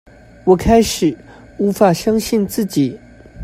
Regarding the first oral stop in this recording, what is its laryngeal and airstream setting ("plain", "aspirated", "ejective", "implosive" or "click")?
aspirated